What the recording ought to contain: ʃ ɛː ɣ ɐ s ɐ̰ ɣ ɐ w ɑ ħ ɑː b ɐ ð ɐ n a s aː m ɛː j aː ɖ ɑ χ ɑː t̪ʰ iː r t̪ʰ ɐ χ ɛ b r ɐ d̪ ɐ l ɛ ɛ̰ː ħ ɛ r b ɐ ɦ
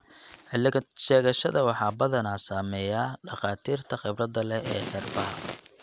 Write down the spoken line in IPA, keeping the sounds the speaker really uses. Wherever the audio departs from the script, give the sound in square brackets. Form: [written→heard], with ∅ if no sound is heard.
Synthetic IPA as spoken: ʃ ɛː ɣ ɐ [s→ʃ] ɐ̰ [ɣ→ð] ɐ w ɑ ħ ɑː b ɐ ð ɐ n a s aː m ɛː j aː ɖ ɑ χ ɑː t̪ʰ iː r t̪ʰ ɐ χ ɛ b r ɐ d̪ ɐ l ɛ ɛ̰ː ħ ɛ r b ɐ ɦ

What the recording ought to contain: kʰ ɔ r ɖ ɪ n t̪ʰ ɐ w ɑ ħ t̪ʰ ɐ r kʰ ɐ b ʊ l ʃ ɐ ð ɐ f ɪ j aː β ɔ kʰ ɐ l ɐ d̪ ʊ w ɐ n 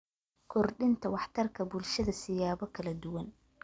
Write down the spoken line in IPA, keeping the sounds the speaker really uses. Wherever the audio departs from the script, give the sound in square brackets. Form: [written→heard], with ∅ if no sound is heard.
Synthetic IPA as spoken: kʰ ɔ r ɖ ɪ n t̪ʰ ɐ w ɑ ħ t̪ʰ ɐ r kʰ ɐ b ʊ l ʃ ɐ ð ɐ [f→s] ɪ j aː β ɔ kʰ ɐ l ɐ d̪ ʊ w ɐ n

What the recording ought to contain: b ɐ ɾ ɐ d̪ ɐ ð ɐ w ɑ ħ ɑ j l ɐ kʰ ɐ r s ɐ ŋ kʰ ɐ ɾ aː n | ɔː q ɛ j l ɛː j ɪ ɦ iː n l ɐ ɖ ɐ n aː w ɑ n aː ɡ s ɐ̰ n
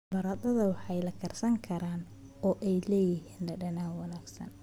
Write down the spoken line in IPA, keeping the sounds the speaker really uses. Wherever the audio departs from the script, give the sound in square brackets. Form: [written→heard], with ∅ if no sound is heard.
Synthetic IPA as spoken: b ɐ ɾ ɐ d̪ ɐ ð ɐ w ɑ ħ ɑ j l ɐ kʰ ɐ r s ɐ ŋ kʰ ɐ ɾ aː n | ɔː [q→ʔ] ɛ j l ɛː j ɪ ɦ iː n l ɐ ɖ ɐ n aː w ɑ n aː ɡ s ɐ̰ n

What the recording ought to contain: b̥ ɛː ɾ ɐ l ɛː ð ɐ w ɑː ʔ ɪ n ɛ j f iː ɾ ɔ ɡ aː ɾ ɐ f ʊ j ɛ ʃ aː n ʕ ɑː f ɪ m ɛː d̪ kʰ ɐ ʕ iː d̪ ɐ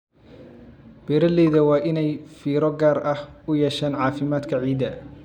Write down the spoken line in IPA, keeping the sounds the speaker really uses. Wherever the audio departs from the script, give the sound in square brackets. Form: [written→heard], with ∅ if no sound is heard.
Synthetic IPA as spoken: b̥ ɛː ɾ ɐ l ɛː ð ɐ w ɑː ʔ ɪ n ɛ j f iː ɾ ɔ ɡ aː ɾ ɐ [f→h] ʊ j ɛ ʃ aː n ʕ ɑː f ɪ m [ɛː→aː] d̪ kʰ ɐ ʕ iː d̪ ɐ

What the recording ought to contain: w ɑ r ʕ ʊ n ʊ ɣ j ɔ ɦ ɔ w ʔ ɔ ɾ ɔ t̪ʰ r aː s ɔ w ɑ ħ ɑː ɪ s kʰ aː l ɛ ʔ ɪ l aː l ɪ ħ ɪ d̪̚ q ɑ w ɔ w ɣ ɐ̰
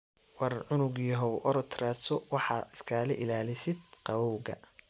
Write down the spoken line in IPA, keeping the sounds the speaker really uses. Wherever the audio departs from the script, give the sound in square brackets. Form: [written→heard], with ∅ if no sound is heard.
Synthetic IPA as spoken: w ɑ r ʕ ʊ n ʊ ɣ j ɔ ɦ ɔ w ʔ ɔ ɾ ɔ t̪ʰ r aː s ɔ w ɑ ħ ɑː ɪ s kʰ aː l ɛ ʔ ɪ l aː l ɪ [ħ→s] ɪ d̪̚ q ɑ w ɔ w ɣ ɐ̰

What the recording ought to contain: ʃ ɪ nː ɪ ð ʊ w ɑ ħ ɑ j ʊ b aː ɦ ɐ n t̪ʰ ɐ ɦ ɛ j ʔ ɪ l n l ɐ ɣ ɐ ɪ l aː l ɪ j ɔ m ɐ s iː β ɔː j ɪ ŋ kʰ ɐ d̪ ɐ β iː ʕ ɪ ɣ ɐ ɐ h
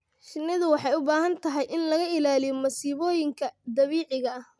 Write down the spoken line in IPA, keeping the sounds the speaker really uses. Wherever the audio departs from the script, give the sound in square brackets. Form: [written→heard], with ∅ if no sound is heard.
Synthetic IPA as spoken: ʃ ɪ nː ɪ ð ʊ w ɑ ħ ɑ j ʊ b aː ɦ ɐ n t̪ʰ ɐ ɦ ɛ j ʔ ɪ [l→∅] n l ɐ ɣ ɐ ɪ l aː l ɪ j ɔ m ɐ s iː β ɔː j ɪ ŋ kʰ ɐ d̪ ɐ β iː ʕ ɪ ɣ ɐ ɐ h

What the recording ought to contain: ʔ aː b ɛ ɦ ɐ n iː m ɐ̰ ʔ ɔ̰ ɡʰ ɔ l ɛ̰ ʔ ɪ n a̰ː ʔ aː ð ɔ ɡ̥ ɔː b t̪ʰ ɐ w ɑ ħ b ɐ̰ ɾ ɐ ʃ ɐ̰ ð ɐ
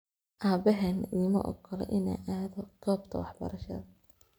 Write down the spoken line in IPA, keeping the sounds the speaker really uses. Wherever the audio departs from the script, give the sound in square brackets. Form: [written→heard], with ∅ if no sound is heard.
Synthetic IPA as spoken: ʔ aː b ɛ ɦ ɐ n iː m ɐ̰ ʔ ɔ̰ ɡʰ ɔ l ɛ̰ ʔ ɪ n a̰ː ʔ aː ð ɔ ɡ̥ ɔː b t̪ʰ ɐ w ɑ ħ b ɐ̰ ɾ ɐ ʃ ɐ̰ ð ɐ

